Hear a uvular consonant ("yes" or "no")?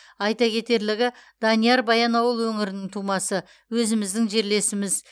no